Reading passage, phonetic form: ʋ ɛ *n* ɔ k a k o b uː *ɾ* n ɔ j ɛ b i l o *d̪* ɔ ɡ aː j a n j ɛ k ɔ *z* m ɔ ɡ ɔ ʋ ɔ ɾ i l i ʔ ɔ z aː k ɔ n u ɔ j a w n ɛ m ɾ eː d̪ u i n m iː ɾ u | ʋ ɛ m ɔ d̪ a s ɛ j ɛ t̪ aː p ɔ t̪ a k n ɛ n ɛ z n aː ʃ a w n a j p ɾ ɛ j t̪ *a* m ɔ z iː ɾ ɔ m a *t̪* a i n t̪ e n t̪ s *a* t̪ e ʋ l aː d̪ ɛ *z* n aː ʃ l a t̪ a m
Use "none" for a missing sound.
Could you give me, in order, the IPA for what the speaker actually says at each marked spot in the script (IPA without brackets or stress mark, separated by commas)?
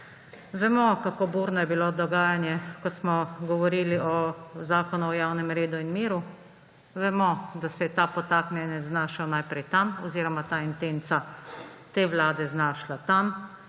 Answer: m, ɾ, d̪, s, a, t̪, a, z